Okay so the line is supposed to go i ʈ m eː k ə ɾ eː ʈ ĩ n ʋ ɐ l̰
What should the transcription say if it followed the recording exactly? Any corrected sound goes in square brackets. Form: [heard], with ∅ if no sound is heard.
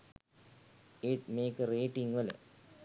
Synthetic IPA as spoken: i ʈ m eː k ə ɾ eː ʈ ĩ [ŋ] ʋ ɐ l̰